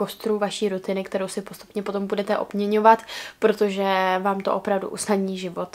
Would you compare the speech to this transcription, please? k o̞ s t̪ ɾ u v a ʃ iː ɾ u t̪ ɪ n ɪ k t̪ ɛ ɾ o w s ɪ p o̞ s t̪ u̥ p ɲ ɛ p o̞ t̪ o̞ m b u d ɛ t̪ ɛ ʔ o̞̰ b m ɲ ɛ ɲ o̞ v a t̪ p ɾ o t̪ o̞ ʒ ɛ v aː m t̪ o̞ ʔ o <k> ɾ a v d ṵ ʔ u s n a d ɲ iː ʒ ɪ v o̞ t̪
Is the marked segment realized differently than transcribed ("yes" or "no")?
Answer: yes